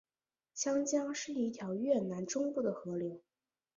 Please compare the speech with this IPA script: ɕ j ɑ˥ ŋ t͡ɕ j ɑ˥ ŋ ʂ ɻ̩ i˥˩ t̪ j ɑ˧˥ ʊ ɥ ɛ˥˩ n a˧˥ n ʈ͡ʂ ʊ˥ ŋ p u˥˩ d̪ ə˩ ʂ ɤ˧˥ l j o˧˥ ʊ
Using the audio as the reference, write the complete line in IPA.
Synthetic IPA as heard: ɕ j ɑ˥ ŋ t͡ɕ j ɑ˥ ŋ ʂ ɻ̩ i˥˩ t̪ʰ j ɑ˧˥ ʊ ɥ ɛ˥˩ n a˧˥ n ʈ͡ʂ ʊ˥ ŋ p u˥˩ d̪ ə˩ x ɤ˧˥ l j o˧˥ ʊ